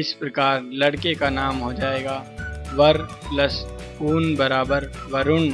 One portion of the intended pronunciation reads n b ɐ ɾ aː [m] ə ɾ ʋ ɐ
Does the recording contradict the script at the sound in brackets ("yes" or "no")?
yes